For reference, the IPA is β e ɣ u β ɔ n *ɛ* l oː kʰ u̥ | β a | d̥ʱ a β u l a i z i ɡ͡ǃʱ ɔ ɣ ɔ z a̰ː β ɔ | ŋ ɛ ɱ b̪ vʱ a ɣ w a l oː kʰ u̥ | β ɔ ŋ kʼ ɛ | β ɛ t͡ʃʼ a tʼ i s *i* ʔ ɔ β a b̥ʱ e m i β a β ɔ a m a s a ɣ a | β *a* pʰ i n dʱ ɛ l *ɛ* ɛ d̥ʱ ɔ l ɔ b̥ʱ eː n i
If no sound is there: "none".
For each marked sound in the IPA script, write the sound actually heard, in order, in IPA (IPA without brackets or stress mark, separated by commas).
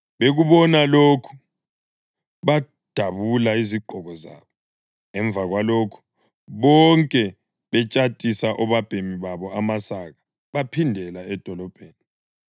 a, a, a, a